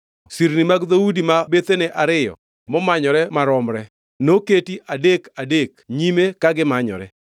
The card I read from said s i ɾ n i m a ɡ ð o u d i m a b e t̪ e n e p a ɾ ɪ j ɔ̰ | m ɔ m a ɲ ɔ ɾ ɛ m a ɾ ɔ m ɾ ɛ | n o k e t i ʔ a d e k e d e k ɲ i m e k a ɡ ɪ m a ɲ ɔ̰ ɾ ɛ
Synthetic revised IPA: s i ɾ n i m a ɡ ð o u d i m a b e t̪ e n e ʔ a ɾ ɪ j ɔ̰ | m ɔ m a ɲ ɔ ɾ ɛ m a ɾ ɔ m ɾ ɛ | n o k e t i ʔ a d e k a d e k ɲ i m e k a ɡ ɪ m a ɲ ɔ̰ ɾ ɛ